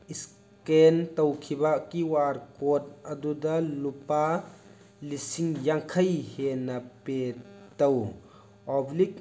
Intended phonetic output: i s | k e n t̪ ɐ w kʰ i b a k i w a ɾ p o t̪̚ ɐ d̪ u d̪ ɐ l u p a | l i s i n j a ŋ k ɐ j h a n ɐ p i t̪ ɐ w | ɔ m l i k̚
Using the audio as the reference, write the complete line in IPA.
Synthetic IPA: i s | k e n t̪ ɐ w kʰ i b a k i w a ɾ k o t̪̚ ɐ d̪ u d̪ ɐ l u p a | l i s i ŋ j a ŋ kʰ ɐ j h e n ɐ p e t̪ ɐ w | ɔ b l i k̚